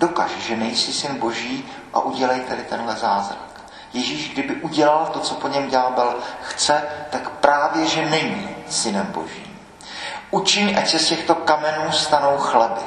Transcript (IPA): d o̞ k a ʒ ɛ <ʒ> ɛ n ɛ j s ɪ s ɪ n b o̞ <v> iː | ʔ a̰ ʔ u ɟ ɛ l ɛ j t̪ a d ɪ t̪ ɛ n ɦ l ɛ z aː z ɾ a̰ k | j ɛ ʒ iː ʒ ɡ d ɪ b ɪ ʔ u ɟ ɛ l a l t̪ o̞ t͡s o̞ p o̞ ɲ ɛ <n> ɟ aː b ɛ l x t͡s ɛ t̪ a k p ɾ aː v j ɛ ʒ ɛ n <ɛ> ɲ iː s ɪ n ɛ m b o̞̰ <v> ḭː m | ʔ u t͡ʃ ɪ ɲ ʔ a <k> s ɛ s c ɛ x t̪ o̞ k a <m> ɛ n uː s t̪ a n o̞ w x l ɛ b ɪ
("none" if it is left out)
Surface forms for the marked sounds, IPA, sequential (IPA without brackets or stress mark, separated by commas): ʒ, ʒ, m, ɛ, ʒ, c, m